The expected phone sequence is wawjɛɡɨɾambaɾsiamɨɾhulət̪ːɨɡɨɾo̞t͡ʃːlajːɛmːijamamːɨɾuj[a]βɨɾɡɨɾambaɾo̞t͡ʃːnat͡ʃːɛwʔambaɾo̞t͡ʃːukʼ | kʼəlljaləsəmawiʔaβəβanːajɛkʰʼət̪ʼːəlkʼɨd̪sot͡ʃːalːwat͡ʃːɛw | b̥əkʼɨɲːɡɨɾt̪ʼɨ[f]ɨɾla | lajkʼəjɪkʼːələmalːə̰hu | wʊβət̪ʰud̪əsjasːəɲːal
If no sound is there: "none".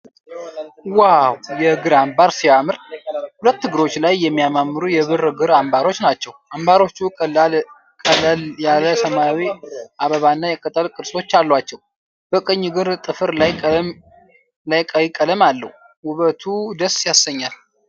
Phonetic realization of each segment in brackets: ɛ, f

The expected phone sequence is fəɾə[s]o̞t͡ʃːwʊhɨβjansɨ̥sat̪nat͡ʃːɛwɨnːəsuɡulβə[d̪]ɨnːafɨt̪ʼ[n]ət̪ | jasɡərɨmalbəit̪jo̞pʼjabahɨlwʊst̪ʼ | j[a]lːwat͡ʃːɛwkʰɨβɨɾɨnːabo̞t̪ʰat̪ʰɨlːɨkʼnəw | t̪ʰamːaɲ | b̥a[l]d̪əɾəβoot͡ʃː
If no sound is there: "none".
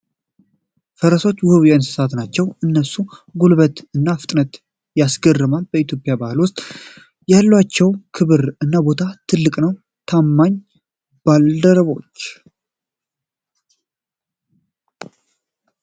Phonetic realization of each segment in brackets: s, t̪, n, a, l

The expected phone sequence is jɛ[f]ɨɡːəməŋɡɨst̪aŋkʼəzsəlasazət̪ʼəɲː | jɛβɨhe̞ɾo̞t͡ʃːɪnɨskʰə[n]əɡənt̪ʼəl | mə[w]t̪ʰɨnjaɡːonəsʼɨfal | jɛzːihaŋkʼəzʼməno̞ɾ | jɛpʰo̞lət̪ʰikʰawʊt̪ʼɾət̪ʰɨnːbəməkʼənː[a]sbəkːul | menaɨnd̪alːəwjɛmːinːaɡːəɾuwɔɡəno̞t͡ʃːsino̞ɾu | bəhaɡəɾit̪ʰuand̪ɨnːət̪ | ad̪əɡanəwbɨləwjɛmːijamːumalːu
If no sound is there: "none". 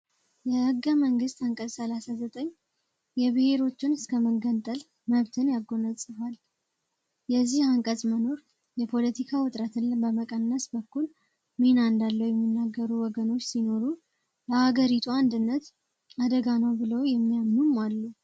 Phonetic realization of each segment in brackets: h, m, β, ə

